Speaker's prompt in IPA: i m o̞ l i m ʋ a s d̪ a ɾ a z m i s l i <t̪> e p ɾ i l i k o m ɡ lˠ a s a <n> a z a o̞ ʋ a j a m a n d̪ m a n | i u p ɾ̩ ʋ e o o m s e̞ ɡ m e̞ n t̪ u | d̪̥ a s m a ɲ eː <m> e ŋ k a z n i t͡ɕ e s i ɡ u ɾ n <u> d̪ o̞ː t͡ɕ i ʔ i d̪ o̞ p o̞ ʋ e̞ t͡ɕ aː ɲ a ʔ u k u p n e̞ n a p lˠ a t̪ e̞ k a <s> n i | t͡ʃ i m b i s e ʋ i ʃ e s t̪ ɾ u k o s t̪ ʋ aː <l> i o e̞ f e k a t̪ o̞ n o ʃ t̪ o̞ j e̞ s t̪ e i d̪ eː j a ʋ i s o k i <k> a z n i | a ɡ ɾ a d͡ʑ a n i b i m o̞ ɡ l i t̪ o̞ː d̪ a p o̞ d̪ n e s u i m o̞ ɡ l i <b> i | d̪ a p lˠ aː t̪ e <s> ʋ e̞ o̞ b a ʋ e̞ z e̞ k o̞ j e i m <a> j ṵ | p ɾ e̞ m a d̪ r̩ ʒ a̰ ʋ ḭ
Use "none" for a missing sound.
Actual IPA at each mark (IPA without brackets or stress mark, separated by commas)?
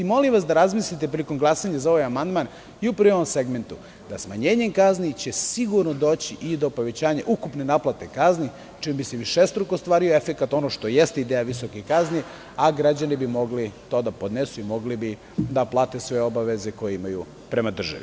t̪, ɲ, ɲ, o, z, ɾ, k, b, s, a